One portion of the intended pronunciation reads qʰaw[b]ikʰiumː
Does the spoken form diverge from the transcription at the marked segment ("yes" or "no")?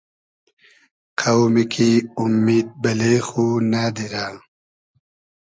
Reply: yes